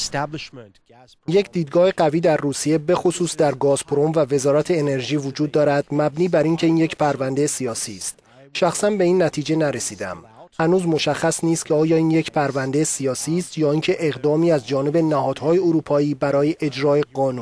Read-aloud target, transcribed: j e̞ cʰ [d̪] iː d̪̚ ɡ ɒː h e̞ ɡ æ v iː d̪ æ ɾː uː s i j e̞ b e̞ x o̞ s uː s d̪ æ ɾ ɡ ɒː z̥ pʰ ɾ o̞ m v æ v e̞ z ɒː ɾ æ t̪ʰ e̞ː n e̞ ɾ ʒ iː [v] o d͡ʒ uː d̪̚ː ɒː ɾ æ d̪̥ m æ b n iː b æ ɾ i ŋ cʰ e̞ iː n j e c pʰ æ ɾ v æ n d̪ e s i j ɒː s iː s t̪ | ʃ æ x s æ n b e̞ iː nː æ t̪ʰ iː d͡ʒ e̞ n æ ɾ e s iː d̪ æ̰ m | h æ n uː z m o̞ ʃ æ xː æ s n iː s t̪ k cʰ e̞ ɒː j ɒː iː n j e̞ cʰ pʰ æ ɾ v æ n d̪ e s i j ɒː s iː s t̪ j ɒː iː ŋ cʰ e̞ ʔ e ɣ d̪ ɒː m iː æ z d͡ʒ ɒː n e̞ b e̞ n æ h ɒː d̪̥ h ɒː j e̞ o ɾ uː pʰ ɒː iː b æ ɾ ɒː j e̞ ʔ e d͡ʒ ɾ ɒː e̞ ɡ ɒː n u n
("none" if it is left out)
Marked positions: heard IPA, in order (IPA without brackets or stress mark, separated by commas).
d̪, v